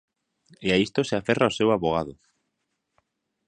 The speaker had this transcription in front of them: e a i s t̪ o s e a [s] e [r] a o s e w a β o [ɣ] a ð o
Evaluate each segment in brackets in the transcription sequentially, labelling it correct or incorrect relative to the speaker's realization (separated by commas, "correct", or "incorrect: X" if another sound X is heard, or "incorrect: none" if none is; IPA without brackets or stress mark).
incorrect: f, correct, correct